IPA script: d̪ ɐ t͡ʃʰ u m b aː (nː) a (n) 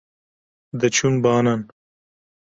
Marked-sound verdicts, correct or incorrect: incorrect: n, correct

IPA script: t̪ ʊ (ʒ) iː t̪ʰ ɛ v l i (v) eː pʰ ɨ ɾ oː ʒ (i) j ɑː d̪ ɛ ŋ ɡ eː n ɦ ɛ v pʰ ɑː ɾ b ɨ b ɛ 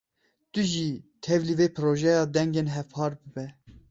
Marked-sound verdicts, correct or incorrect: correct, correct, incorrect: ɛ

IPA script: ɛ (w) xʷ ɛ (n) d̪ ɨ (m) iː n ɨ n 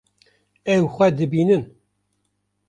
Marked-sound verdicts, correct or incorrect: correct, incorrect: none, incorrect: b

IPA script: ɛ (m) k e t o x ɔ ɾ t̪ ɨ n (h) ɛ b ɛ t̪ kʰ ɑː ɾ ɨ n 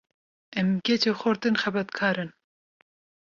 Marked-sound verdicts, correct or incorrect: correct, incorrect: x

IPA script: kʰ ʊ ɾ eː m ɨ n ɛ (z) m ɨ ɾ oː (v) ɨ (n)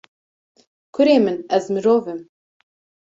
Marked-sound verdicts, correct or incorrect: correct, correct, incorrect: m

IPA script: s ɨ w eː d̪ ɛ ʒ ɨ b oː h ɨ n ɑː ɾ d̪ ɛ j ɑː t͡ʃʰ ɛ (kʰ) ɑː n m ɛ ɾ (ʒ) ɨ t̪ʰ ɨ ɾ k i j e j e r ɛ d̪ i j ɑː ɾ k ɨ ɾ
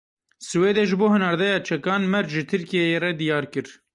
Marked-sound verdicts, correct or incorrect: incorrect: k, correct

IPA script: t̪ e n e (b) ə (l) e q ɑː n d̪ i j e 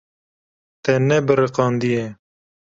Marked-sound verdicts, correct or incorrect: correct, incorrect: ɾ

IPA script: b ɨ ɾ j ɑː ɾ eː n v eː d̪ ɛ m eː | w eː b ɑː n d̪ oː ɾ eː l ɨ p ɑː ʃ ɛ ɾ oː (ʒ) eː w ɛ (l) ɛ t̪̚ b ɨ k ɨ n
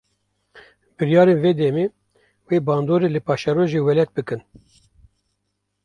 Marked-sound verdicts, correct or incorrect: correct, correct

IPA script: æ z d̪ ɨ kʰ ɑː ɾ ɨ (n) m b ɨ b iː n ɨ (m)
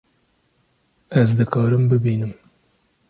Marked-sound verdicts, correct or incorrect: incorrect: none, correct

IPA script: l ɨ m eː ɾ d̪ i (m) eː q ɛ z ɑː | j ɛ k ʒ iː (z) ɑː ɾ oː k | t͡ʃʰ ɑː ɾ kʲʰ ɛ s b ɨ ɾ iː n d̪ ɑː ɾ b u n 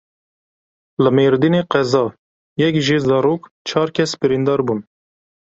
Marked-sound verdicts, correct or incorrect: incorrect: n, correct

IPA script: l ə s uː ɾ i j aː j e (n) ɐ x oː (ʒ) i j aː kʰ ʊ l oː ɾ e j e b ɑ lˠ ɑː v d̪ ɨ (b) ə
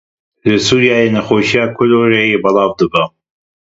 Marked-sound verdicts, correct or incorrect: correct, incorrect: ʃ, correct

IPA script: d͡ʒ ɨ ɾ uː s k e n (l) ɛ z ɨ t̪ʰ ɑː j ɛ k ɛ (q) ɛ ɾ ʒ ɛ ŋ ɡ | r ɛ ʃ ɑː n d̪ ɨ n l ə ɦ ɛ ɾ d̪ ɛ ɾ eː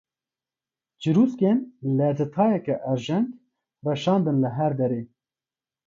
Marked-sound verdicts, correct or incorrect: correct, incorrect: ʔ

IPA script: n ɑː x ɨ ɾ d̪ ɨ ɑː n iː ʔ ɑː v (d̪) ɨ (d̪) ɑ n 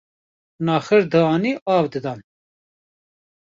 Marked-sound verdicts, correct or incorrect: correct, correct

